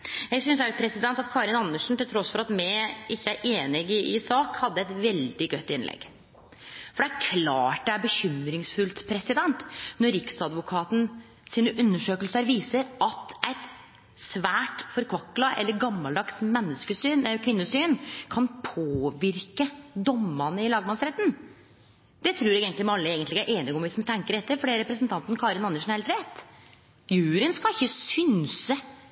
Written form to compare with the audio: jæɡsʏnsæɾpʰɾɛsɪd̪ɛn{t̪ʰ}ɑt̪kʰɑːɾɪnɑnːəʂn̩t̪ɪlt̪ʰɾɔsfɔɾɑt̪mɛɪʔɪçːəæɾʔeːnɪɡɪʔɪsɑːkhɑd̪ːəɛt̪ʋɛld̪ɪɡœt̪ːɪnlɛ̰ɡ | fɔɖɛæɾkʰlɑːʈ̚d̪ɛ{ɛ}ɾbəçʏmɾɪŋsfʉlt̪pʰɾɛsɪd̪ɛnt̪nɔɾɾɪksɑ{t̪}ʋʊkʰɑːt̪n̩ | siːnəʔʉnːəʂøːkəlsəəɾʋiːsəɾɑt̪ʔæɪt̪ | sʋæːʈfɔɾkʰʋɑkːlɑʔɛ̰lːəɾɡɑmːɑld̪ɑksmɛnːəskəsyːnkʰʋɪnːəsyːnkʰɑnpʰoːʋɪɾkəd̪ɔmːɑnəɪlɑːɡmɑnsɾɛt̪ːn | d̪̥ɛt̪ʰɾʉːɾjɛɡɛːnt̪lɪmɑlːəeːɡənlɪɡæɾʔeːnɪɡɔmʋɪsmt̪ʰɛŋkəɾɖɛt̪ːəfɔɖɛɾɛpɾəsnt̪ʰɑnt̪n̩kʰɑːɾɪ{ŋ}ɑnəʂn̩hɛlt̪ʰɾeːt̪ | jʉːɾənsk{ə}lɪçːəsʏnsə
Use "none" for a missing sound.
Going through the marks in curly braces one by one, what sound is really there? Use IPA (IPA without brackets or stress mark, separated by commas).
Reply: t̪, æ, d̪, n, ɑ